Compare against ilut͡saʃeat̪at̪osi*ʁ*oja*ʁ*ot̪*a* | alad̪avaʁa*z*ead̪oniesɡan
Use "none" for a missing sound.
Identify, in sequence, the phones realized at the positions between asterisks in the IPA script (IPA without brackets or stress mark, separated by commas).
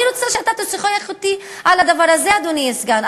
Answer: χ, χ, i, z